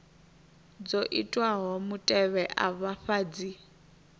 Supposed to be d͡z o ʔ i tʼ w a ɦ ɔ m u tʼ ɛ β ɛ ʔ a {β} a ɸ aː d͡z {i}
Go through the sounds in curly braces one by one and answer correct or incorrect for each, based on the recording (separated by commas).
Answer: correct, correct